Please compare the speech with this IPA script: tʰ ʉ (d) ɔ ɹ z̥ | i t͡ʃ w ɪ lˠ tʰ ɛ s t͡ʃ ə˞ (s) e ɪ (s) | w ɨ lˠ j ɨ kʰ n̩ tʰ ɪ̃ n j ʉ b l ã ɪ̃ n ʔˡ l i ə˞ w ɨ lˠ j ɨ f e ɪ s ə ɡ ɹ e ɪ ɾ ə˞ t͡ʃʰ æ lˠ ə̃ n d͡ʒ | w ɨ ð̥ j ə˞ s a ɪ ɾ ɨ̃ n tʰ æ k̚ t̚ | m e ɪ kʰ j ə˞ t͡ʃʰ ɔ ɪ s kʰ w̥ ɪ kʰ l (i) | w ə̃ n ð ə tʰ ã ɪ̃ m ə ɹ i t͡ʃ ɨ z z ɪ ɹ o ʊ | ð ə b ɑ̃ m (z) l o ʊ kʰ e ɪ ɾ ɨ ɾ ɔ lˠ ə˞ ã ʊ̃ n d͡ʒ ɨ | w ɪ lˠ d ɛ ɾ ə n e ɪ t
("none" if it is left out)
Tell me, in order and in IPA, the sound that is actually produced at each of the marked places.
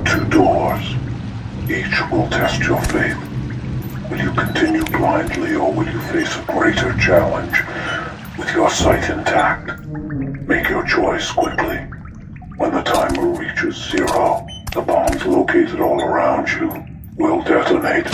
d, f, θ, i, z

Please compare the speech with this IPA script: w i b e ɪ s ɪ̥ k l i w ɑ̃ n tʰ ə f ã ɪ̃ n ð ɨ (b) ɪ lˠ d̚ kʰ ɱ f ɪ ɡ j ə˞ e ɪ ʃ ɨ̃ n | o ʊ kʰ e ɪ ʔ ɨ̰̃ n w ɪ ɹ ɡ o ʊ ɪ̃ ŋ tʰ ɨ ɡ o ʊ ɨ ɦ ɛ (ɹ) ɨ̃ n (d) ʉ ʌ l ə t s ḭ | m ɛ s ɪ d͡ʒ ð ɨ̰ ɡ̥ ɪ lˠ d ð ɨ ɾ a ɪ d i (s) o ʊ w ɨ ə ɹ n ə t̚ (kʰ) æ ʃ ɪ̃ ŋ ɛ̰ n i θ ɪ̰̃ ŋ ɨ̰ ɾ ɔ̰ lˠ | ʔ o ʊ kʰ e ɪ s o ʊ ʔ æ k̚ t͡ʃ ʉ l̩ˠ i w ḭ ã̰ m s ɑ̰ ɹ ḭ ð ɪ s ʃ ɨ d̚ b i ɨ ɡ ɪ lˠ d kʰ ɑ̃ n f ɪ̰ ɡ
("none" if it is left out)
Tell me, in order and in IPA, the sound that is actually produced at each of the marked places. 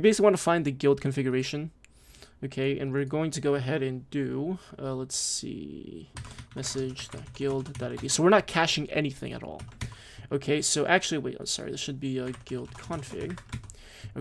ɡ, ɾ, d, s, kʰ

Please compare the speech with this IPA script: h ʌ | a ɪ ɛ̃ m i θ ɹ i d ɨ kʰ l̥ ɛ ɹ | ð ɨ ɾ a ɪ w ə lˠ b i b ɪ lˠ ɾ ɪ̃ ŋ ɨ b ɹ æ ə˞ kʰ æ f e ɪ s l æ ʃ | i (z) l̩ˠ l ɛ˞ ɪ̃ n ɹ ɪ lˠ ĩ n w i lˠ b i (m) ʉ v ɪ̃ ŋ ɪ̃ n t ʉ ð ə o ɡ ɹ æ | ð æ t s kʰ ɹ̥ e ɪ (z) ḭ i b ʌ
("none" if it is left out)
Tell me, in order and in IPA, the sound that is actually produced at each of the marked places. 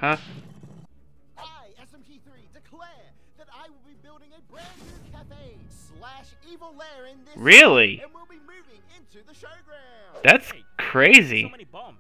v, m, z

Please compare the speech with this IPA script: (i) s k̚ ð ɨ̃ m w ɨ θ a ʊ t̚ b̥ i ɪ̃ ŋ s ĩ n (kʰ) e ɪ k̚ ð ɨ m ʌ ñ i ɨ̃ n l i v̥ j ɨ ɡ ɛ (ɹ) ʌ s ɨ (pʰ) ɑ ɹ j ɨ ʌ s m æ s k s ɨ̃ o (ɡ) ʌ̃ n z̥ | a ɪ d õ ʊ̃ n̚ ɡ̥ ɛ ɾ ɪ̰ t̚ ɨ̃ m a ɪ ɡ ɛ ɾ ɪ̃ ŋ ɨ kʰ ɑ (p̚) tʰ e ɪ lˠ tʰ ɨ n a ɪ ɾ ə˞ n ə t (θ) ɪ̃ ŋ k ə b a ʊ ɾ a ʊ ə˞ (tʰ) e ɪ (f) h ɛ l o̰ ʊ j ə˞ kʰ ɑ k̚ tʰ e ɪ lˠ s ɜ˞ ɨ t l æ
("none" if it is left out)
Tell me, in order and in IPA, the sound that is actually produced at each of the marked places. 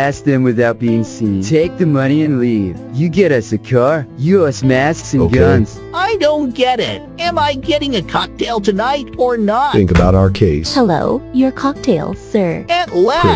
æ, tʰ, ɾ, kʰ, ɡ, k̚, θ, kʰ, s

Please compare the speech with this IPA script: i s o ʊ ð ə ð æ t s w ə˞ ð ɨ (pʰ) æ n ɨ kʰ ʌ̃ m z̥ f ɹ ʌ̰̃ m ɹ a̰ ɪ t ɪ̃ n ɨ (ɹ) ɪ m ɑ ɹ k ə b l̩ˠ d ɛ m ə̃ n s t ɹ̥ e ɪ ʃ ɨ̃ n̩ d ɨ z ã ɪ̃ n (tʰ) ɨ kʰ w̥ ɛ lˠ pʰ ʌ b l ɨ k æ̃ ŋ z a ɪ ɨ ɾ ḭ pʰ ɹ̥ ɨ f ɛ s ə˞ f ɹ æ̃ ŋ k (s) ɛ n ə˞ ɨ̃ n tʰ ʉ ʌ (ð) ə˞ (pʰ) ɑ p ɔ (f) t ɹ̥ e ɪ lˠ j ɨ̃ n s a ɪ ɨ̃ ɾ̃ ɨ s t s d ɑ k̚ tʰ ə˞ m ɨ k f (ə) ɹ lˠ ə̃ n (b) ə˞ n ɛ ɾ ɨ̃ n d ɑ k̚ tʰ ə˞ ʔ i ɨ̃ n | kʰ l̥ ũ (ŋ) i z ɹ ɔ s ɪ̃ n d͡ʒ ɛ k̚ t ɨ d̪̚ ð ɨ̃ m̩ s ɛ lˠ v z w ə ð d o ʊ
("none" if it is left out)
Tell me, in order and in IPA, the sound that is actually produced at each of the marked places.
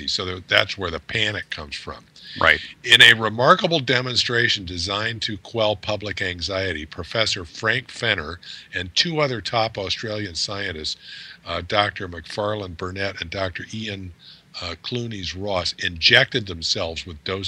pʰ, ɹ, tʰ, f, ð, tʰ, s, ɑ, b, n

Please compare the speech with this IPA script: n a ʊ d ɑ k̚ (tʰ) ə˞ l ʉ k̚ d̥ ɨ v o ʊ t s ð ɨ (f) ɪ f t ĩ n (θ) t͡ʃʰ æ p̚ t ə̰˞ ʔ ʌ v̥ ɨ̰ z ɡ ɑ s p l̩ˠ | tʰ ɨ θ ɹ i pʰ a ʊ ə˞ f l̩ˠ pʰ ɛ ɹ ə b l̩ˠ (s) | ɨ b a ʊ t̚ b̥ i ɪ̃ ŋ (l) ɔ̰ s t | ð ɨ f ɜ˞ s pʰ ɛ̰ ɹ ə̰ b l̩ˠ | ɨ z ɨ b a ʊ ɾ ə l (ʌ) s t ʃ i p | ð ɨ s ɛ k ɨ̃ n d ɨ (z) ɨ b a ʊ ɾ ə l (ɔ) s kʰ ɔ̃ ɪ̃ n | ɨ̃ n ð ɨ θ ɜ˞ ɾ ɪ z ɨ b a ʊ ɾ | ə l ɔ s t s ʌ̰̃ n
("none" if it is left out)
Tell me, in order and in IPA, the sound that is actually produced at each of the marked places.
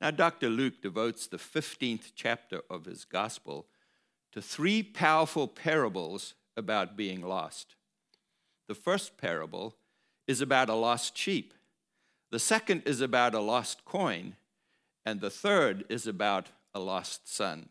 t, f, θ, z, l, ɔ, z, ɔ

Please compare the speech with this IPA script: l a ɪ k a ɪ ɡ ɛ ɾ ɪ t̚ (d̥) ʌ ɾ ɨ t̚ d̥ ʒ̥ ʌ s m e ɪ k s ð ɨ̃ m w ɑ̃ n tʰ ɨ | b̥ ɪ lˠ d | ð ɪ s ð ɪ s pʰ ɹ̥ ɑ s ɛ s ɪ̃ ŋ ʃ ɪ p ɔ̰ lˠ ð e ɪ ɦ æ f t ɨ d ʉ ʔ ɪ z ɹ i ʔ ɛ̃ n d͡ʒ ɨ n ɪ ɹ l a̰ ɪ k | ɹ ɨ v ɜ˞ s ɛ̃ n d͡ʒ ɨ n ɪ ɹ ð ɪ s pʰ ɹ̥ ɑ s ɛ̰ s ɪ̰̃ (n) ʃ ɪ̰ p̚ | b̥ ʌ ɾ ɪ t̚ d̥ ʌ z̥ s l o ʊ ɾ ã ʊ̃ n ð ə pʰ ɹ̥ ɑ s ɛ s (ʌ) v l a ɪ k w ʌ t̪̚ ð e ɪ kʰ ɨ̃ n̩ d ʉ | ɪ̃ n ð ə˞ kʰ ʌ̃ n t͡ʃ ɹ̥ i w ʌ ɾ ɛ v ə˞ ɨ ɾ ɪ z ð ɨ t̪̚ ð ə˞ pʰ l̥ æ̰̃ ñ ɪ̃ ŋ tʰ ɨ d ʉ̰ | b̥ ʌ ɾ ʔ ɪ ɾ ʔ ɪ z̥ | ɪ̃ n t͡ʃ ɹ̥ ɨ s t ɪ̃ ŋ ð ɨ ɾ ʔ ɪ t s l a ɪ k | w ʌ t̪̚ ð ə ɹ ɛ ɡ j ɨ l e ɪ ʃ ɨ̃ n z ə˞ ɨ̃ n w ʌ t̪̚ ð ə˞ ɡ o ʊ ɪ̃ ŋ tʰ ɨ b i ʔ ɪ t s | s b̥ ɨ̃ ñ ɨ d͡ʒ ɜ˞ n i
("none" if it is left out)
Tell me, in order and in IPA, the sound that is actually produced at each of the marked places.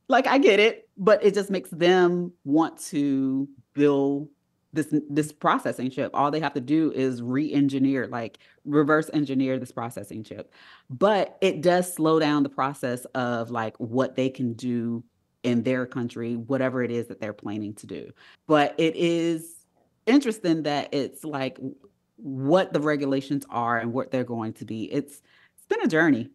b̥, ŋ, ʌ

